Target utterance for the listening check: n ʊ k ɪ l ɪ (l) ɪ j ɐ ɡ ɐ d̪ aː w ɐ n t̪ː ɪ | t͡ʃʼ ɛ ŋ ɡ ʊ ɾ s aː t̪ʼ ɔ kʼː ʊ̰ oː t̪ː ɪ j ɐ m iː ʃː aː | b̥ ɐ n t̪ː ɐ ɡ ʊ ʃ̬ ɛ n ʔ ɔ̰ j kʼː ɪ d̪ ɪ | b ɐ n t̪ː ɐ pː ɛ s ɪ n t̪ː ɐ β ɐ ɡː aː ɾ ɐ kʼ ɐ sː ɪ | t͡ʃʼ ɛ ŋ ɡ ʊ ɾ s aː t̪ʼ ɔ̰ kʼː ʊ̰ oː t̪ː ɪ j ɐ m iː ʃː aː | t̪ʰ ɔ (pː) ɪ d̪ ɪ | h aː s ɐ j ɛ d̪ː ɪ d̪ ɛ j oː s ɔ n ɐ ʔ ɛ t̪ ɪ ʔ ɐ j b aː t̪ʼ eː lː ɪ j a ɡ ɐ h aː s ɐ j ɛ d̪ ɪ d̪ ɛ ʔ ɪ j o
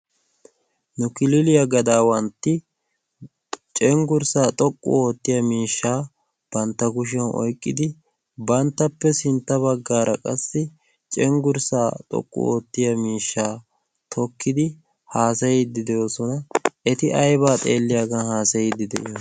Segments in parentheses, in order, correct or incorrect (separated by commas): correct, incorrect